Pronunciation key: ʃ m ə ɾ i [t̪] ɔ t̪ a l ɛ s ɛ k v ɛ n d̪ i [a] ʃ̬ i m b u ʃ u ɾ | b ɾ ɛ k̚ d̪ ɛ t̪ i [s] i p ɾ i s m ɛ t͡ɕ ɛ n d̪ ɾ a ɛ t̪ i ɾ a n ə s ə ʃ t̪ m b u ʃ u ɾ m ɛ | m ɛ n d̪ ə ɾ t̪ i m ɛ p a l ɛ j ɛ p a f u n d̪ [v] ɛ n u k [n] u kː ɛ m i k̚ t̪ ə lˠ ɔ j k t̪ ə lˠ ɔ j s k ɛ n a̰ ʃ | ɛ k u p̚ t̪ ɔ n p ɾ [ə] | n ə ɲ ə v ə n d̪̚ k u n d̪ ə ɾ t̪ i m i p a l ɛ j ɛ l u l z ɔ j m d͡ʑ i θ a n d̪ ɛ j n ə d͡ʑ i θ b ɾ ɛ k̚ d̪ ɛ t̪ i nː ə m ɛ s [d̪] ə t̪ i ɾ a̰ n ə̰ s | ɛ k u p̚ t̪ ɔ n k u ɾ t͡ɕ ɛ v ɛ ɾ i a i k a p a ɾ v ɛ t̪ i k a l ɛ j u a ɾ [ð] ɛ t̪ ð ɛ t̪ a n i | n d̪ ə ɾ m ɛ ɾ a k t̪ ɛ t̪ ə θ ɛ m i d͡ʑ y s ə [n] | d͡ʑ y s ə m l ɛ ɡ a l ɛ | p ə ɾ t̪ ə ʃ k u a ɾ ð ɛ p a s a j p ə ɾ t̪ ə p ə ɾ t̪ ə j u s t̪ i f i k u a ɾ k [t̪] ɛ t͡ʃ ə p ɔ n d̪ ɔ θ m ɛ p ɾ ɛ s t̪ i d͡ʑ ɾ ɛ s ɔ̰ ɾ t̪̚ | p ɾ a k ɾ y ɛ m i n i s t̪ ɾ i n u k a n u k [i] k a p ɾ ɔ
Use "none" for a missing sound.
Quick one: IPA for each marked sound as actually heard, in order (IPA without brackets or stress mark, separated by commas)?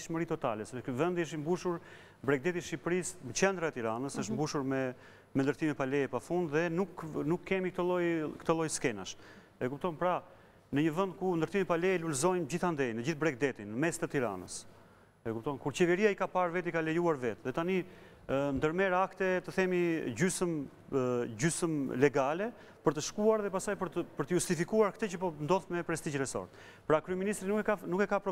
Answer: t̪, ə, ʃ, ð, n, a, t̪, v, m, t̪, ɛ